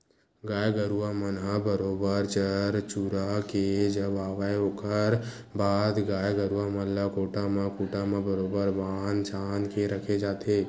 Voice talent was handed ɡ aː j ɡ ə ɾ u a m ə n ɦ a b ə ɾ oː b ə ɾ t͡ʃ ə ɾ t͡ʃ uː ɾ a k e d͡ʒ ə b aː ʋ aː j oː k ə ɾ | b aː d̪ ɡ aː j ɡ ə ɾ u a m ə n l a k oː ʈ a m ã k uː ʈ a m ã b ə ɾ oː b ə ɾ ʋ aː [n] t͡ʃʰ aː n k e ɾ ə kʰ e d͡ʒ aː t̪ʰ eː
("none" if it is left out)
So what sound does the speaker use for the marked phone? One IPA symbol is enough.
n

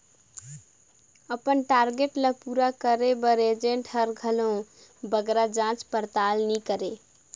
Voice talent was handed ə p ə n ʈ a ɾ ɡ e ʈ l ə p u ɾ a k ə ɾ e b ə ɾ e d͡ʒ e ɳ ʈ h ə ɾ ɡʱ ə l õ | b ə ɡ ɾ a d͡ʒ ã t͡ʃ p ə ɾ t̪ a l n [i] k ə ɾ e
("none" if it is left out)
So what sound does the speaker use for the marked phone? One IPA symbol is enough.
i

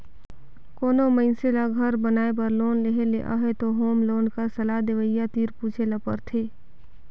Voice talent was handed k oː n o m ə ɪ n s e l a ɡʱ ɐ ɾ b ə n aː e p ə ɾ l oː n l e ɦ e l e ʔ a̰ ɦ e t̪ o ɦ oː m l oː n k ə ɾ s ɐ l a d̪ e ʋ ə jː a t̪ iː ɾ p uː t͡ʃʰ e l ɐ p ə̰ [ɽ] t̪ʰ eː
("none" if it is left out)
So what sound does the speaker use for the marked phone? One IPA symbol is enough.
ɾ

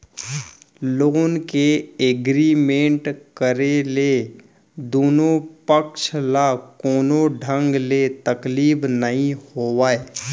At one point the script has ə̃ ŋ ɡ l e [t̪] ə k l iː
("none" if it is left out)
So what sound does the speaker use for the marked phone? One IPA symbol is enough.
t̪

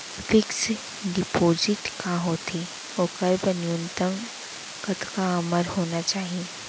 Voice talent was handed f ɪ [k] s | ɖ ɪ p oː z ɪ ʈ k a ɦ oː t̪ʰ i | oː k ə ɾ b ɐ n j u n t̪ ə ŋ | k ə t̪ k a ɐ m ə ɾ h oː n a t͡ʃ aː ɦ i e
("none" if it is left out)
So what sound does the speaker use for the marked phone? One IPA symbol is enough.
k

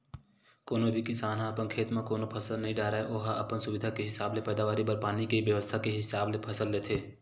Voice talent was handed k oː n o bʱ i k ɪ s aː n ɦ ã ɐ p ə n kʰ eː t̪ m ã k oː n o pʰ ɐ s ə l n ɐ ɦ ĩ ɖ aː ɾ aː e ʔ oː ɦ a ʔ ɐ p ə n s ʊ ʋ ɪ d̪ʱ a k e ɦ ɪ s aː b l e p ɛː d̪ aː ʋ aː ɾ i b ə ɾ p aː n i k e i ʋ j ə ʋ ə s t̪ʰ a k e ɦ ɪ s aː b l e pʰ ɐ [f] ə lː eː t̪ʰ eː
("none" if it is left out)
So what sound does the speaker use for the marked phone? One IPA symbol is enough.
s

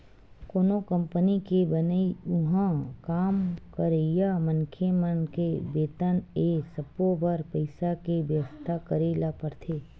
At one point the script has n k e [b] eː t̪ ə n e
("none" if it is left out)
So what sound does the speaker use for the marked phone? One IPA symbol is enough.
b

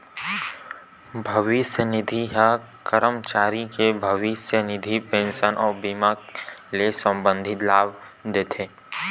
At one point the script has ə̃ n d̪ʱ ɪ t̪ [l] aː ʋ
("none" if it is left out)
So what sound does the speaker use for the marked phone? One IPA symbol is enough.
l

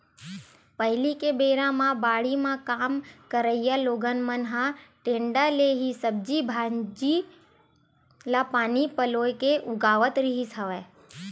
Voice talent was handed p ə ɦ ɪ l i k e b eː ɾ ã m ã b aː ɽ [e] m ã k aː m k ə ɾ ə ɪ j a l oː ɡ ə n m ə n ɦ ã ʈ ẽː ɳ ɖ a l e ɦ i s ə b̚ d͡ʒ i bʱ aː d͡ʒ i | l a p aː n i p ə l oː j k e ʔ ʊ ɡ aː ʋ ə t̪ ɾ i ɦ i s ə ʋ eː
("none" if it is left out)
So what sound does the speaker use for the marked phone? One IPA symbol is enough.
i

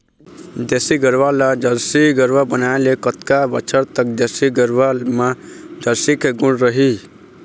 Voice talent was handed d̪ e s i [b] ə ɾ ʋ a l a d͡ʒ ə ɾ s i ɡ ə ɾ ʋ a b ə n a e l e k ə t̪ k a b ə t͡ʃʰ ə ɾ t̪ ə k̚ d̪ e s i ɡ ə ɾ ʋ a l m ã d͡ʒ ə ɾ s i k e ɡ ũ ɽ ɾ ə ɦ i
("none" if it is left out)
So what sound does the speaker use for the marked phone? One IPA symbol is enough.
ɡ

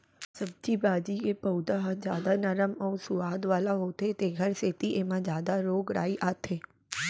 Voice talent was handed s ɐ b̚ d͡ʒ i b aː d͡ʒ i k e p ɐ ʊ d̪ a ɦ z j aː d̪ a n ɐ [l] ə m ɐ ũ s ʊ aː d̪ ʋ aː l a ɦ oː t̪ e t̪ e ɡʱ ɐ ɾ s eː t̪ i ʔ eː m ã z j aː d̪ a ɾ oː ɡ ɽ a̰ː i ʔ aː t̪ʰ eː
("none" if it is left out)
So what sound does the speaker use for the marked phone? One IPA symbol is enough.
ɾ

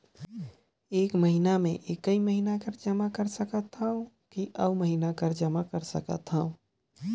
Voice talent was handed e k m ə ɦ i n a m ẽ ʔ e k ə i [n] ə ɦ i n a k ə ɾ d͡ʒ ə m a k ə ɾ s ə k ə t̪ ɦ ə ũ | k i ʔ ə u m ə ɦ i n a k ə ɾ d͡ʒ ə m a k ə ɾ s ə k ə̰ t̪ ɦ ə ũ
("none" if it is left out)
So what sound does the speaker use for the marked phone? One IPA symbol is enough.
m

